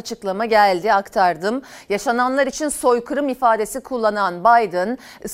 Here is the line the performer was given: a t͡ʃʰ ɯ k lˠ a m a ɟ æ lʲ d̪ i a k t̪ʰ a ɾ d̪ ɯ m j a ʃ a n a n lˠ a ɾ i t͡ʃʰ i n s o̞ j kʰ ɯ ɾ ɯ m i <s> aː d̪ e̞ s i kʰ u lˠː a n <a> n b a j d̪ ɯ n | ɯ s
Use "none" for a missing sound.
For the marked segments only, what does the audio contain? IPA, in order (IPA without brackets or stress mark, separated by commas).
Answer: f, a